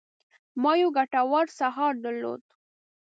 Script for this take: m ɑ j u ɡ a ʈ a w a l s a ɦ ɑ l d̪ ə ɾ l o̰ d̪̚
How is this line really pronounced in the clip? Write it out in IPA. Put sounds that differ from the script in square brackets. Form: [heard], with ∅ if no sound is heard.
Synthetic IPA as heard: m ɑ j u ɡ a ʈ a w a [ɾ] s a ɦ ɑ [ɾ] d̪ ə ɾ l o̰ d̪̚